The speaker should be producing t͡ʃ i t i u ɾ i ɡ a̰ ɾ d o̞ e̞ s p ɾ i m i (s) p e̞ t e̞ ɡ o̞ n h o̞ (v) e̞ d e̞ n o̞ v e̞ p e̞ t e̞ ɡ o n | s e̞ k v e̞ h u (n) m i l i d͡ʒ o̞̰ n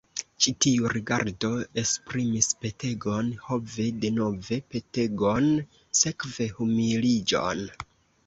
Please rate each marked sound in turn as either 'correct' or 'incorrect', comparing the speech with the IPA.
correct, correct, incorrect: none

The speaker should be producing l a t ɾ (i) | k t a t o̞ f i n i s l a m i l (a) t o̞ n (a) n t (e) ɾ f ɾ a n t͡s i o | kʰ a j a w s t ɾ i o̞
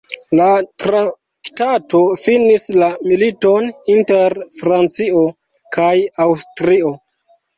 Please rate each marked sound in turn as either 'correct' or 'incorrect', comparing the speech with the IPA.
incorrect: a, incorrect: i, incorrect: i, correct

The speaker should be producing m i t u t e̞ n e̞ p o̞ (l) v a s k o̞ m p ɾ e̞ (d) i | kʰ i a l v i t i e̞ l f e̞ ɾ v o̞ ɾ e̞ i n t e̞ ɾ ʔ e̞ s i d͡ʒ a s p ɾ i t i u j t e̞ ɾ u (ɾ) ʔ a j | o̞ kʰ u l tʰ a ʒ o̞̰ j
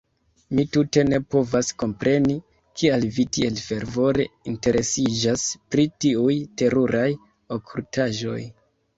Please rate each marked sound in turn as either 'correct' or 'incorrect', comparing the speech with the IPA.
incorrect: none, incorrect: n, correct

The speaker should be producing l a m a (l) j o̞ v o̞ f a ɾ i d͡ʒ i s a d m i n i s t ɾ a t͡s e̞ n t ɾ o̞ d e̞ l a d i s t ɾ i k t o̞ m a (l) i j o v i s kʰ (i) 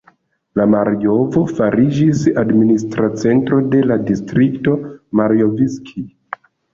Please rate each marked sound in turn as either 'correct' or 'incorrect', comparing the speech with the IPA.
incorrect: ɾ, incorrect: ɾ, correct

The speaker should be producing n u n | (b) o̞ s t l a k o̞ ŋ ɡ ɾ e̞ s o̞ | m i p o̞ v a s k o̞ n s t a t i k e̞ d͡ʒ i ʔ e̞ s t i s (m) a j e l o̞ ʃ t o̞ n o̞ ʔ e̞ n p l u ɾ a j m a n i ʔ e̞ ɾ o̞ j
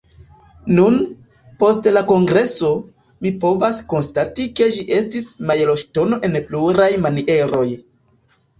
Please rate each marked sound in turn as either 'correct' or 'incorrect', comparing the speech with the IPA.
incorrect: p, correct

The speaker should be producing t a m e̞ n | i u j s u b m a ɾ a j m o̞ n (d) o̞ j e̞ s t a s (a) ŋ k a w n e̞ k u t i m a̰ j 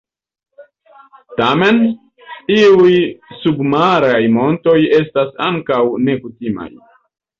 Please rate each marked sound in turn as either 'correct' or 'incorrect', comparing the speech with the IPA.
incorrect: t, correct

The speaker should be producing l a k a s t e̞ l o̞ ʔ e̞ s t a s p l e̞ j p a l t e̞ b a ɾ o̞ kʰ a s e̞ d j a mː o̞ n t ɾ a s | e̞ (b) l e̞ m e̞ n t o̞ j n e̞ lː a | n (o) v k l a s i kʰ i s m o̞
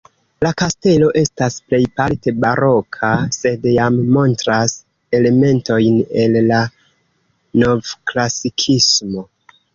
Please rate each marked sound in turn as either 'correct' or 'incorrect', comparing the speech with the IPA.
incorrect: none, correct

